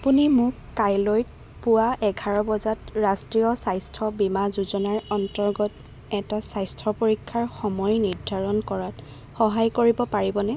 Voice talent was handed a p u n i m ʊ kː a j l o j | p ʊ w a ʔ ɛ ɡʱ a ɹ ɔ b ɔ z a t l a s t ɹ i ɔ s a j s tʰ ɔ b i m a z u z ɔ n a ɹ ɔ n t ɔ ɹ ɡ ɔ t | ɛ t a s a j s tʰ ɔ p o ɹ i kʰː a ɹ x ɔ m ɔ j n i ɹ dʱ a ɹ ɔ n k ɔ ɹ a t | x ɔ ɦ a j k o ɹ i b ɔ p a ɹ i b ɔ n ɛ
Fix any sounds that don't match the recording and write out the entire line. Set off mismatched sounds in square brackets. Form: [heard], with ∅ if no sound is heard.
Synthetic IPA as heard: a p u n i m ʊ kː a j l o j | p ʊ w a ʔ ɛ ɡʱ a ɹ ɔ b ɔ z a t [ɹ] a s t ɹ i ɔ s a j s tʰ ɔ b i m a z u z ɔ n a ɹ ɔ n t ɔ ɹ ɡ ɔ t | ɛ t a s a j s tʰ ɔ p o ɹ i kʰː a ɹ x ɔ m ɔ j n i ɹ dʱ a ɹ ɔ n k ɔ ɹ a t | x ɔ ɦ a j k o ɹ i b ɔ p a ɹ i b ɔ n ɛ